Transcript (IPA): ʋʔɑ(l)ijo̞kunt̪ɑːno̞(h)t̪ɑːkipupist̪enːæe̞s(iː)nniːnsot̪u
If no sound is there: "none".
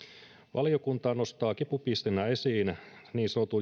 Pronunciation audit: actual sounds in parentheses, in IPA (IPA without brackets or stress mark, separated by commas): l, s, iː